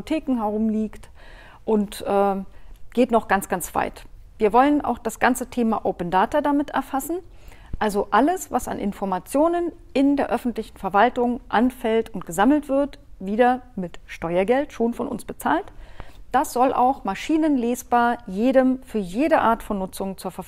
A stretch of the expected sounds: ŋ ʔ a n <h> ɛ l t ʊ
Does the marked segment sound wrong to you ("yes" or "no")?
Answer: yes